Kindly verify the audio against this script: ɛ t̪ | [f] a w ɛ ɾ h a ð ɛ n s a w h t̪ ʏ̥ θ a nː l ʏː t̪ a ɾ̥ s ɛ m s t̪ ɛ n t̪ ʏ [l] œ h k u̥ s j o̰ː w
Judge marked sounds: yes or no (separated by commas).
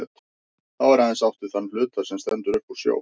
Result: no, no